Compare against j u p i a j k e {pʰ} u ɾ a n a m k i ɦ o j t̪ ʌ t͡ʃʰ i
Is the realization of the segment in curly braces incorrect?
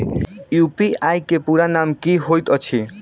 yes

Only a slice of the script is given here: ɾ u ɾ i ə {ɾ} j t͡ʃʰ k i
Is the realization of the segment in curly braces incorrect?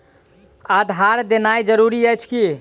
yes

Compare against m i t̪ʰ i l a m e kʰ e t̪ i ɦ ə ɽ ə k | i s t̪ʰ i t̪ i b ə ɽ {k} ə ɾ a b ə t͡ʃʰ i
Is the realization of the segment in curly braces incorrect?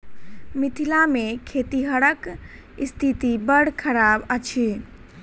yes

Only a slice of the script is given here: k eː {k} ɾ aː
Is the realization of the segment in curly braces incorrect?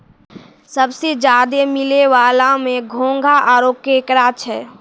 no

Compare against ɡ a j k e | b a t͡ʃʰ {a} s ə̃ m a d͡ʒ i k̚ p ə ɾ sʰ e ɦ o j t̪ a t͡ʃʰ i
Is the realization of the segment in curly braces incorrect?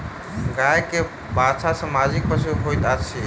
no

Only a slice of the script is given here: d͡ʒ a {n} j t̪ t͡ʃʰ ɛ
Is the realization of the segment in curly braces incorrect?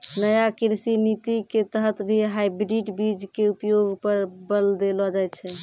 yes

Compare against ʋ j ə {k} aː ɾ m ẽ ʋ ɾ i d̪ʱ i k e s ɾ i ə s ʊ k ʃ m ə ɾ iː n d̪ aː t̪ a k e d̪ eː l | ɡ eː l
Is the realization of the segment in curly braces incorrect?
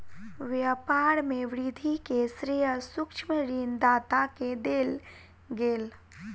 yes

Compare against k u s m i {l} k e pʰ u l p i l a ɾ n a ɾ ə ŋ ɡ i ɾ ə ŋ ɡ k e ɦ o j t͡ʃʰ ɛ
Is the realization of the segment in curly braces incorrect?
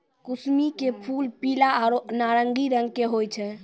yes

